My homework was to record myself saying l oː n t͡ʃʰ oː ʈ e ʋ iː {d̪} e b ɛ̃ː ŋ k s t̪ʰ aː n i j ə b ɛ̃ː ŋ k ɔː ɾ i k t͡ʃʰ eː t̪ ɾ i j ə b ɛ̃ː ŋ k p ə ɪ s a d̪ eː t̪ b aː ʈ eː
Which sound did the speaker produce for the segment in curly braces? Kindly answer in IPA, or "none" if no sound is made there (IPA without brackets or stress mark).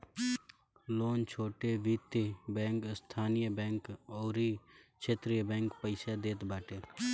t̪